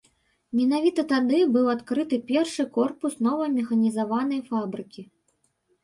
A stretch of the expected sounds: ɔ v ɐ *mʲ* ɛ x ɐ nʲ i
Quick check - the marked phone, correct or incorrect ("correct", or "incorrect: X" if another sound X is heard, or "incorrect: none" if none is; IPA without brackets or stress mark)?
correct